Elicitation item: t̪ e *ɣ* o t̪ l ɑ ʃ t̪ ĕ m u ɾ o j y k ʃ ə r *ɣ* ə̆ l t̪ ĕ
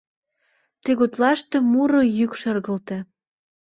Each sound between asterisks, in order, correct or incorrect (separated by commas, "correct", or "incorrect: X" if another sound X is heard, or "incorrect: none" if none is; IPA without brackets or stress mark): correct, correct